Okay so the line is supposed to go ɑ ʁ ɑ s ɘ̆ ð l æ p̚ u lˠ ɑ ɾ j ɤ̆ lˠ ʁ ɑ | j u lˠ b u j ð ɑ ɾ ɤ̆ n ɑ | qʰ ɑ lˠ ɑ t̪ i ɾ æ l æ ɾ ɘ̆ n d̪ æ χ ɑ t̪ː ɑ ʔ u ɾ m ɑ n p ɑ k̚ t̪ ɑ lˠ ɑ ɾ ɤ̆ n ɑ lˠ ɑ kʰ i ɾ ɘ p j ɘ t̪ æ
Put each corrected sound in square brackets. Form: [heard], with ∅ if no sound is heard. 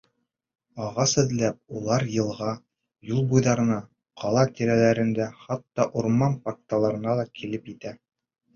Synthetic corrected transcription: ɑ ʁ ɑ s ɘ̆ ð l æ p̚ u lˠ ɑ ɾ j ɤ̆ lˠ ʁ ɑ | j u lˠ b u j ð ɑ ɾ ɤ̆ n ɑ | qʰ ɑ lˠ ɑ t̪ i ɾ æ l æ ɾ ɘ̆ n d̪ æ χ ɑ t̪ː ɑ ʔ u ɾ m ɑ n p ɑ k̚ t̪ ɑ lˠ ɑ ɾ ɤ̆ n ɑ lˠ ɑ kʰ i [l] ɘ p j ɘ t̪ æ